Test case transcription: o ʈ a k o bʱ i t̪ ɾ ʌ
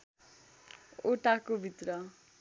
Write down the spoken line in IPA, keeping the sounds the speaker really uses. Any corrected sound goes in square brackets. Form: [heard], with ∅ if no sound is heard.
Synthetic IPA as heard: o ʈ a k o bʱ i t̪ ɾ ʌ